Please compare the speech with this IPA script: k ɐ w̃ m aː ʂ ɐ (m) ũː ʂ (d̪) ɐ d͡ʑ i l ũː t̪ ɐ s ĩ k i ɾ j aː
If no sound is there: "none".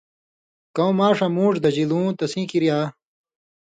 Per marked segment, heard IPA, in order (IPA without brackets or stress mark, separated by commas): m, d̪